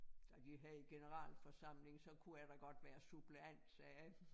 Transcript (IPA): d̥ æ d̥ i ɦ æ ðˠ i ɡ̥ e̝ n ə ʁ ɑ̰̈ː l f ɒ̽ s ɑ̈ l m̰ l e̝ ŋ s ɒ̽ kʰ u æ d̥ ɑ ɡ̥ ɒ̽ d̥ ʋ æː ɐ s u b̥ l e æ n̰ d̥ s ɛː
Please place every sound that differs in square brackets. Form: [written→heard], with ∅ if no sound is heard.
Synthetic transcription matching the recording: d̥ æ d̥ i ɦ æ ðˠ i ɡ̥ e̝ n ə ʁ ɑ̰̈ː l f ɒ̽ s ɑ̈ [l→∅] m̰ l e̝ ŋ s ɒ̽ kʰ u æ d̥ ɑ ɡ̥ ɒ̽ d̥ ʋ æː ɐ s u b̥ l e æ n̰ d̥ s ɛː